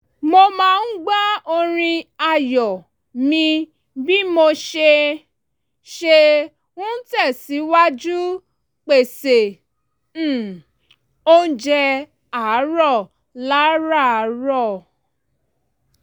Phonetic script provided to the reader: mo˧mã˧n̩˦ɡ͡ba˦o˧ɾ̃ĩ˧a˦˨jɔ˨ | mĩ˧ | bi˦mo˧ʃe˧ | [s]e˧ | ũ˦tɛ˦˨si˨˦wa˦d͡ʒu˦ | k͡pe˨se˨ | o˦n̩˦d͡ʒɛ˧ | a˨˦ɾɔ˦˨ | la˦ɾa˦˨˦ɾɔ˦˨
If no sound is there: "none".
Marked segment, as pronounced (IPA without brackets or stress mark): ʃ